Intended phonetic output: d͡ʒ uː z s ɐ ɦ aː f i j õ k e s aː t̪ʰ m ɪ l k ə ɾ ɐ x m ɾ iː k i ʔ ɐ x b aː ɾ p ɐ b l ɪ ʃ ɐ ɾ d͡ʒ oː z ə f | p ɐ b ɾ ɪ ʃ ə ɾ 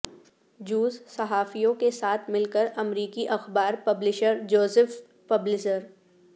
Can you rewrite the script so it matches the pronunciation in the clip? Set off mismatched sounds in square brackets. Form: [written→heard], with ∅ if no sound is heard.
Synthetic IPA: d͡ʒ uː z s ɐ ɦ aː f i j õ k e s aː t̪ʰ m ɪ l k ə ɾ ɐ [x→∅] m ɾ iː k i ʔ ɐ x b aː ɾ p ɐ b l ɪ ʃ [ɐ→ə] ɾ d͡ʒ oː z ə f | p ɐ b [ɾ→l] ɪ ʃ ə ɾ